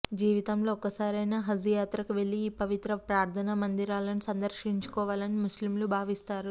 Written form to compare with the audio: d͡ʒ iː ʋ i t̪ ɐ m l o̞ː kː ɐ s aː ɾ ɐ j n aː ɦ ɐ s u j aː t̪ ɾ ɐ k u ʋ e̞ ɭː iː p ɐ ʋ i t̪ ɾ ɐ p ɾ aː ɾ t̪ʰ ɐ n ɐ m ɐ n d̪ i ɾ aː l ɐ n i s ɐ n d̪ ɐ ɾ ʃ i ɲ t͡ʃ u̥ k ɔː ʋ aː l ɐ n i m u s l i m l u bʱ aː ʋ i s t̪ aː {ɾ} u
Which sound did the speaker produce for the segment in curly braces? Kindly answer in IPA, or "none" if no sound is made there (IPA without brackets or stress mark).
ɾ